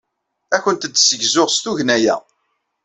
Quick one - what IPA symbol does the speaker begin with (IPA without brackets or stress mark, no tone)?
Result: æ